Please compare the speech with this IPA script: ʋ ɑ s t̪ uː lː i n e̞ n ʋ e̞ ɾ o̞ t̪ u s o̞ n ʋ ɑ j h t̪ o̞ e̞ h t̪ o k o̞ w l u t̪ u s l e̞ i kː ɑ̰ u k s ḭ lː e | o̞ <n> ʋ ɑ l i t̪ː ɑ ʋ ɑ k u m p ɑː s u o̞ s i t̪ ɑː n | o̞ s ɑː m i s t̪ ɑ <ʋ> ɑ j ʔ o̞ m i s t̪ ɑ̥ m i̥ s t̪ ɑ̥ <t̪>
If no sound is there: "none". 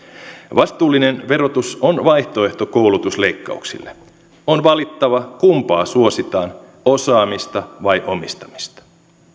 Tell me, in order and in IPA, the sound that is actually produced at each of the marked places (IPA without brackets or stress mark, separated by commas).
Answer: n, ʋ, none